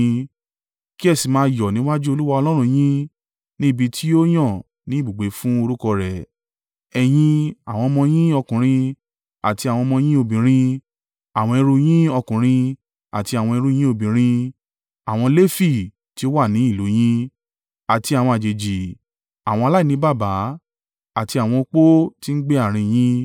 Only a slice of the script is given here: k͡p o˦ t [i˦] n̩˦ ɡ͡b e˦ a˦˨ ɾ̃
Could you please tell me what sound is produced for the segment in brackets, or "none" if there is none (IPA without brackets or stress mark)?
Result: i˦